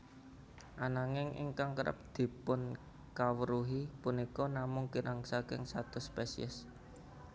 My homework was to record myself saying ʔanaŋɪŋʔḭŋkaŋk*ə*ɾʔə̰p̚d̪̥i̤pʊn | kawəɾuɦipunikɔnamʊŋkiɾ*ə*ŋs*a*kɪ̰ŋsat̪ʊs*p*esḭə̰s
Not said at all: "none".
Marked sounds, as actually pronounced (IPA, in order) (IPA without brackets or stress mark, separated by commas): ə, a, a, p